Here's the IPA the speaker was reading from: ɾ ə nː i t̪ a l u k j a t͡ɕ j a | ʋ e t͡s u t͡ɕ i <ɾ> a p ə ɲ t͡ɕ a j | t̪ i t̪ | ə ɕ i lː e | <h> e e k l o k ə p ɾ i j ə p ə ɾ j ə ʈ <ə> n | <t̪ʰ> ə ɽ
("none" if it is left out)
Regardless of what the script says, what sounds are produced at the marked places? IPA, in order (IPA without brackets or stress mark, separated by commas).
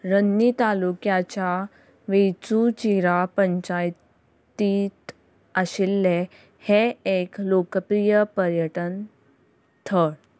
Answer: ɾ, h, ə, t̪ʰ